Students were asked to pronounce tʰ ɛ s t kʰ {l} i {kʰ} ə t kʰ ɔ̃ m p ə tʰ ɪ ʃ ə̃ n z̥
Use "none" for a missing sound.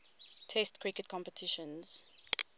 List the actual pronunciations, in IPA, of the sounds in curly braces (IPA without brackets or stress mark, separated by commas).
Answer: ɹ, k